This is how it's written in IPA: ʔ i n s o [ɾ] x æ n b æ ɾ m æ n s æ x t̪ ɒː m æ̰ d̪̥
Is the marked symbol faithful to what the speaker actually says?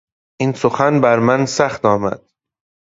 no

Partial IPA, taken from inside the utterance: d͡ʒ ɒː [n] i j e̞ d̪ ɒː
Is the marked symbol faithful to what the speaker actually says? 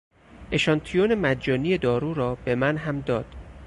yes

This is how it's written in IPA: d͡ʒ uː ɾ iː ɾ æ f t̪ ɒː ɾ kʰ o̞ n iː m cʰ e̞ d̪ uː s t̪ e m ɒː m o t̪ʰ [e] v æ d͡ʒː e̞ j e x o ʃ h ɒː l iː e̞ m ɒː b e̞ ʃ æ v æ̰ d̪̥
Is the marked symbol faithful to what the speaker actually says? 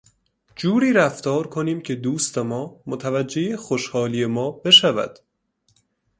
no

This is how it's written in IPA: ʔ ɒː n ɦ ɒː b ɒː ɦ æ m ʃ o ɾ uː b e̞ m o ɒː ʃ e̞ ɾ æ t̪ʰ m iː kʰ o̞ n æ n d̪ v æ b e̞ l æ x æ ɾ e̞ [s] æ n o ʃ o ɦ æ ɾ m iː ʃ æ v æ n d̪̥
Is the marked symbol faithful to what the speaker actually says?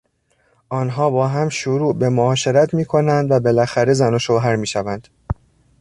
no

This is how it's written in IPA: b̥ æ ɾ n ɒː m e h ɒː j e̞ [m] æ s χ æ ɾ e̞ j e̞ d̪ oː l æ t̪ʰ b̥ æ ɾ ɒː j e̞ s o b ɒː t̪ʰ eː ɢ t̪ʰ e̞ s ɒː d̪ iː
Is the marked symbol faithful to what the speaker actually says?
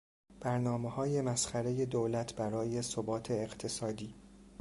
yes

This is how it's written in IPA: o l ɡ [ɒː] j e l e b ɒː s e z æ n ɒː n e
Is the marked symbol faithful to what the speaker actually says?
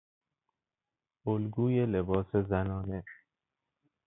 no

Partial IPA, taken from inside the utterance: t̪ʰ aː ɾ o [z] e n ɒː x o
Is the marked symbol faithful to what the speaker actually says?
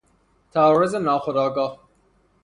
yes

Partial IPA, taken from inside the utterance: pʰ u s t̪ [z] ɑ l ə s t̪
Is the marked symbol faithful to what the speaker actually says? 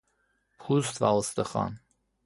no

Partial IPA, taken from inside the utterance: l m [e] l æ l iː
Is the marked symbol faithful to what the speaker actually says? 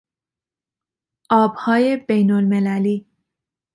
yes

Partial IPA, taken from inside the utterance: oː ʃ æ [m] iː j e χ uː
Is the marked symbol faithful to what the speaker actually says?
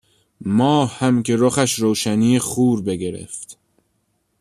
no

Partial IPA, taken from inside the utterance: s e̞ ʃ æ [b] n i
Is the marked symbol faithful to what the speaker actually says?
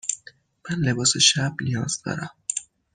yes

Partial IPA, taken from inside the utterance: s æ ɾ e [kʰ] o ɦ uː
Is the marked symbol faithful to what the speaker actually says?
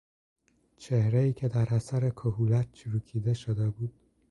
yes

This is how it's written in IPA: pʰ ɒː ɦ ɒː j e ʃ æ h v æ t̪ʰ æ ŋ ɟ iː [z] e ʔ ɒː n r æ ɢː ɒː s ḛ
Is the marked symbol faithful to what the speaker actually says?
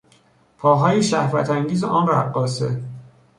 yes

